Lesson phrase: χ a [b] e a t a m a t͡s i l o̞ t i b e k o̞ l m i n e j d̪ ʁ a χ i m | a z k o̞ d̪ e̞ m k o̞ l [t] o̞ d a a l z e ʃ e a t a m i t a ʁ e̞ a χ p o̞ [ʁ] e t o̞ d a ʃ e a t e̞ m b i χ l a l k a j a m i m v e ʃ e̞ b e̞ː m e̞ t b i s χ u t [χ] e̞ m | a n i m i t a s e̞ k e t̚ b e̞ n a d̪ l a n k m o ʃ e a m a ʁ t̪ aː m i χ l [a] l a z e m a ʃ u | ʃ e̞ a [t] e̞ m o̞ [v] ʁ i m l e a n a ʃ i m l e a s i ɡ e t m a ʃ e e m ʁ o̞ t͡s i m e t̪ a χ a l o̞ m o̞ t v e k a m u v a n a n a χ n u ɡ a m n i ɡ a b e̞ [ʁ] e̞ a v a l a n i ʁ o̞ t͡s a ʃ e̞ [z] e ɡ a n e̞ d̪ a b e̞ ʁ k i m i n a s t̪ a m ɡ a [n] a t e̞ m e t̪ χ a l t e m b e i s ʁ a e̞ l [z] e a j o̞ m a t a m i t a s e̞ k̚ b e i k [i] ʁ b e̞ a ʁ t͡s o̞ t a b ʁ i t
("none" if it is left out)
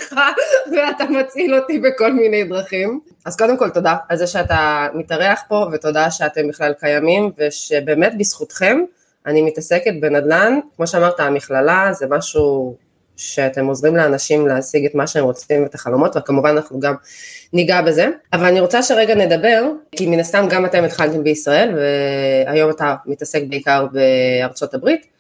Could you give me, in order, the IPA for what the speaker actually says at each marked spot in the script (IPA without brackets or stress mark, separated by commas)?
v, t, v, χ, a, t, z, z, ʁ, m, v, a